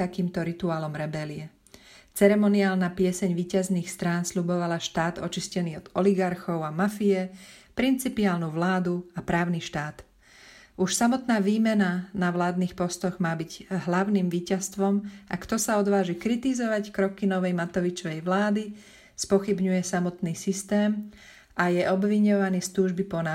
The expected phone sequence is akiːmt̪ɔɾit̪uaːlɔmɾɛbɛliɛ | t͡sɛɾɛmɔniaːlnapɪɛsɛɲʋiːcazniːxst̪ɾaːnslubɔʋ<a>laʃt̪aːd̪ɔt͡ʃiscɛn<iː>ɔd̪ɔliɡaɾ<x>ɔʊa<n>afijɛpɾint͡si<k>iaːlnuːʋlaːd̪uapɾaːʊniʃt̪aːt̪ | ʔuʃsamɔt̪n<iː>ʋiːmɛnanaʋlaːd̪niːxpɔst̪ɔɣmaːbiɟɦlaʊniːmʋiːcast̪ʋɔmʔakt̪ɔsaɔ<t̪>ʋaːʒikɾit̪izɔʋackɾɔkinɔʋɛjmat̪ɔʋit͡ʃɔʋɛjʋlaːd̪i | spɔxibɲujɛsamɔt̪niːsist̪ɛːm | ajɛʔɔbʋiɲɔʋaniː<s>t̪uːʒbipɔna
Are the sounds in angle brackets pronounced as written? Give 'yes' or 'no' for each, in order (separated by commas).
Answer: yes, yes, yes, no, no, no, no, yes